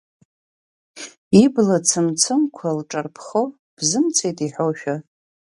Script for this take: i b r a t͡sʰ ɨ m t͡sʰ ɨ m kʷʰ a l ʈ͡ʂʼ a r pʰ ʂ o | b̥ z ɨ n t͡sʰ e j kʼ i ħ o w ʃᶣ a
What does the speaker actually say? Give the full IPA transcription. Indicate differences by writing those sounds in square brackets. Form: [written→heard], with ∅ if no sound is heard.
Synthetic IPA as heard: i b [r→l] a t͡sʰ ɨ m t͡sʰ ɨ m kʷʰ a l ʈ͡ʂʼ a r pʰ [ʂ→χ] o | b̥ z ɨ [n→m] t͡sʰ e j [kʼ→tʼ] i ħ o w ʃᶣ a